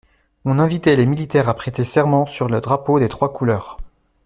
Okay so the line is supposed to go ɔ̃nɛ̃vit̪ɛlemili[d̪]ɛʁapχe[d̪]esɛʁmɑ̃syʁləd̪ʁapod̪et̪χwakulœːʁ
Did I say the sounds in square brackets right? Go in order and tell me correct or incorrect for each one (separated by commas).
incorrect, incorrect